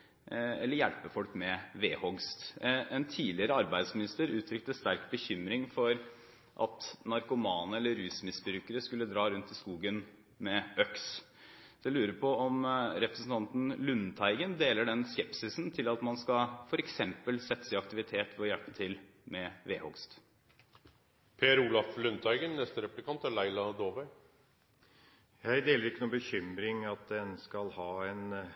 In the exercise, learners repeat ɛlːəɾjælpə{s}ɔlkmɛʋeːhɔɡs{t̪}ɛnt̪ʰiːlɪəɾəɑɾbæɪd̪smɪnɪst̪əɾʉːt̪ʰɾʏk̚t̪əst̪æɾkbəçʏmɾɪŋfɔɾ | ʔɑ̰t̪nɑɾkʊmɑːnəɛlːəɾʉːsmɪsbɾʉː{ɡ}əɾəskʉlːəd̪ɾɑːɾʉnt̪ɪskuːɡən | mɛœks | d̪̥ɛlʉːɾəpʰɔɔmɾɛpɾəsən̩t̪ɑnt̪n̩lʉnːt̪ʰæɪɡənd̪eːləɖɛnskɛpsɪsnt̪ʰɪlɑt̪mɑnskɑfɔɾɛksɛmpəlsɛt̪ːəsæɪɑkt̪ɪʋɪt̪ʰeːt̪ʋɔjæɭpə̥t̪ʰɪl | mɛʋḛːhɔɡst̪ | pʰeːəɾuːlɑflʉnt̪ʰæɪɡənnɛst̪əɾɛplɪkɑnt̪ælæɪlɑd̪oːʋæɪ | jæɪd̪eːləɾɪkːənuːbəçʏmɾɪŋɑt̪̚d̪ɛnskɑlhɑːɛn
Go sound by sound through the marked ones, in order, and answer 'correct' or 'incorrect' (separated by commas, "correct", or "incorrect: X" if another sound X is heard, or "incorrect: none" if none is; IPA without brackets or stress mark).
incorrect: f, correct, incorrect: k